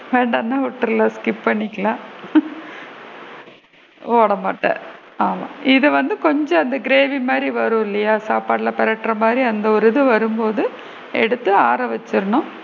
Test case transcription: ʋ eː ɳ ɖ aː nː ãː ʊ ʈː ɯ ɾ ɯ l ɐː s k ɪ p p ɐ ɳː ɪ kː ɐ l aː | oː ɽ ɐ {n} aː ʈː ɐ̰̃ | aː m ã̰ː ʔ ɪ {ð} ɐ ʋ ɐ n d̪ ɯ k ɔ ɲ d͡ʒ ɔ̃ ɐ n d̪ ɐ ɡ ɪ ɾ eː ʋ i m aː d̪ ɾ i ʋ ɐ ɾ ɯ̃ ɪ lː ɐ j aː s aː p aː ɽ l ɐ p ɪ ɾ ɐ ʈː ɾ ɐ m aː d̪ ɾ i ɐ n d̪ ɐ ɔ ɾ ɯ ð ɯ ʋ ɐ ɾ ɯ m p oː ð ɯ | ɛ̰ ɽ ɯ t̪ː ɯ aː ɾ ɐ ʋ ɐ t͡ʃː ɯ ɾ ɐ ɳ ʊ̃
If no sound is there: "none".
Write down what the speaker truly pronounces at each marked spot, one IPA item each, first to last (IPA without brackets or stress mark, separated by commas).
m, ð